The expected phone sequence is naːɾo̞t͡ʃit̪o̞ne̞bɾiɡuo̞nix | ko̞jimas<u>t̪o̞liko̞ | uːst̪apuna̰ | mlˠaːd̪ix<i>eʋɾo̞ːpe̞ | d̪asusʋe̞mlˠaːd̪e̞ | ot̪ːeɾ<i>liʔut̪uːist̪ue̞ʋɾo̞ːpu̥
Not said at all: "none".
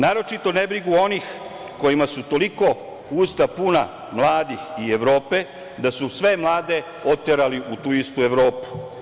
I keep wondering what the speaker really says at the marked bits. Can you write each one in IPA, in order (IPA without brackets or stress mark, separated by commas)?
u, i, a